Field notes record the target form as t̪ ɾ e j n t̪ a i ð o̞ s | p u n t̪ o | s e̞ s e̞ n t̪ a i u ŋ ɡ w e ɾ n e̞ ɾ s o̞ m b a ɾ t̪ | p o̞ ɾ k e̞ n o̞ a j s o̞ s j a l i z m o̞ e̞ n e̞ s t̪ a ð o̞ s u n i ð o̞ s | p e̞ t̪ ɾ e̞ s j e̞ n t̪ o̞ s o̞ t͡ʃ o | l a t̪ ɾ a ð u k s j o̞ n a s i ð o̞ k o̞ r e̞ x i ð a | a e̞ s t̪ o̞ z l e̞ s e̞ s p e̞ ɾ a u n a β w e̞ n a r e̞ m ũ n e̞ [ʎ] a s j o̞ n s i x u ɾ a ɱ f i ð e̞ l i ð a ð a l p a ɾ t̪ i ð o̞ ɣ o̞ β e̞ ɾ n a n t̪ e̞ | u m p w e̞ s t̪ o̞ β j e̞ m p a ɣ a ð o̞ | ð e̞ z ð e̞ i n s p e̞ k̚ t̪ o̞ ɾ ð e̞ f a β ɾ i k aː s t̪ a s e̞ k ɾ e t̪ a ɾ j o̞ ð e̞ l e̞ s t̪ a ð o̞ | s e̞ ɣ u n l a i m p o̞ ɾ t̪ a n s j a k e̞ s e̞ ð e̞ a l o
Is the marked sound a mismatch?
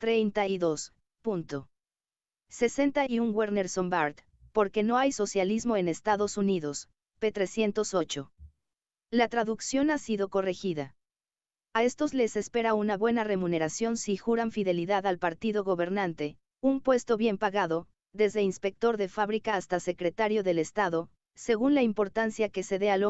yes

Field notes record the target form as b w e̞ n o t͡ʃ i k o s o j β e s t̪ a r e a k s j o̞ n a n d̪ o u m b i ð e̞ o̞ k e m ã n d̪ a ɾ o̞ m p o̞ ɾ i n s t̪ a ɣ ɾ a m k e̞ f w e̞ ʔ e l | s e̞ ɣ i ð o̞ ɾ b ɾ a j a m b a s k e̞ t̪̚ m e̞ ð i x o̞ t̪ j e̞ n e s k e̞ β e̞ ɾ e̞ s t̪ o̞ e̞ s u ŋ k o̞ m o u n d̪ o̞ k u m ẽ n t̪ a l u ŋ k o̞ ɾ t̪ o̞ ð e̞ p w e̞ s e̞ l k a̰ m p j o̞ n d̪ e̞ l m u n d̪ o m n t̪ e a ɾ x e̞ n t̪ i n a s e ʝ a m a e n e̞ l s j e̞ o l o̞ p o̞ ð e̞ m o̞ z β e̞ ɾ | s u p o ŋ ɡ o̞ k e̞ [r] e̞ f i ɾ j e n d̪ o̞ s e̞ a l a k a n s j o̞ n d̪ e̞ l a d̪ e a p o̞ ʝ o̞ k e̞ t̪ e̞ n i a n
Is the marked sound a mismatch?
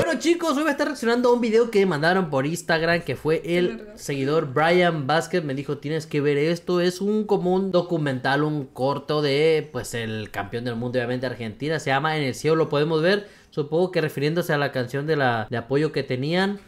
no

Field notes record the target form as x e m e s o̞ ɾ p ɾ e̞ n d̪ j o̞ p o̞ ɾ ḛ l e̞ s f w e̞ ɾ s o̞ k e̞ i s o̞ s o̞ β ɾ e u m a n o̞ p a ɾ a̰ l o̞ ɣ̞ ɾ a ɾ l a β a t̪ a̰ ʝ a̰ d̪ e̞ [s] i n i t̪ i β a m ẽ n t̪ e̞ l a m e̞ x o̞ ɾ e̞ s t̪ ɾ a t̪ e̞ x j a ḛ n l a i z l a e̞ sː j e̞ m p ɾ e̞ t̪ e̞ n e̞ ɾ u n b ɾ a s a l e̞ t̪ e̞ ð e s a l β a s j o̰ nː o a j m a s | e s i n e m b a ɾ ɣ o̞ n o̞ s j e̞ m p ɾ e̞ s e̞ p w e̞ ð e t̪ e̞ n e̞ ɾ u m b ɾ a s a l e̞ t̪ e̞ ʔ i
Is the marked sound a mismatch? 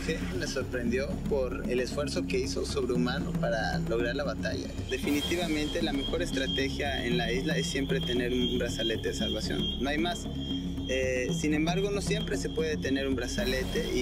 yes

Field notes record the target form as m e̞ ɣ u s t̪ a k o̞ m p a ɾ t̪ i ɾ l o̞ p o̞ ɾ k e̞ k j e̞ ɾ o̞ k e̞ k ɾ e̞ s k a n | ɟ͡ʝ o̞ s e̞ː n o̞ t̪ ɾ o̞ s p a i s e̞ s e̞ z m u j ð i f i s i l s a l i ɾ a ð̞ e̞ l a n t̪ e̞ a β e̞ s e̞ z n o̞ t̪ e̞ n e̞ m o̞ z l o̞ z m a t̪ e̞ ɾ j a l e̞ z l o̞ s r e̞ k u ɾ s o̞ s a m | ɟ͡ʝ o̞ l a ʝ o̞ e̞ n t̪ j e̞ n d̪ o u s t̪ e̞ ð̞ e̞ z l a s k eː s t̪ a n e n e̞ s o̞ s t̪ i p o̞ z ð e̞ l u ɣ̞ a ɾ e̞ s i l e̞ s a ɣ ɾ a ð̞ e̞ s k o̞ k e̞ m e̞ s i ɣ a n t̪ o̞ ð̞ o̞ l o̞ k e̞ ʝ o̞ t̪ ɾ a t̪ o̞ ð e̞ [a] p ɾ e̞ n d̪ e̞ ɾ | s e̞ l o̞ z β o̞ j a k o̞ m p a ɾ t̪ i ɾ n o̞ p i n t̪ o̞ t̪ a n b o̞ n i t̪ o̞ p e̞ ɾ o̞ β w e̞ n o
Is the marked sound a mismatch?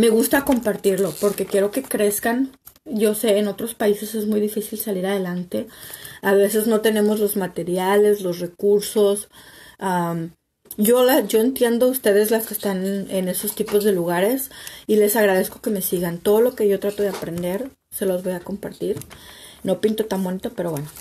no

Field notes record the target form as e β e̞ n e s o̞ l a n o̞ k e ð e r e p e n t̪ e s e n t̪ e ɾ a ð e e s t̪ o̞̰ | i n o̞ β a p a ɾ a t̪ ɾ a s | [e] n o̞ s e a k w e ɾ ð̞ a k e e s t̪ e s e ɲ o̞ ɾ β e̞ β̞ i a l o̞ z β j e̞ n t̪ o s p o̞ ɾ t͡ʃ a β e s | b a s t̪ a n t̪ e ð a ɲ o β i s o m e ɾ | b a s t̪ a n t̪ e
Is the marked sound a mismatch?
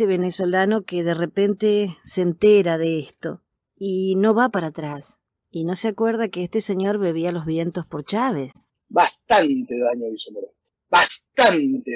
yes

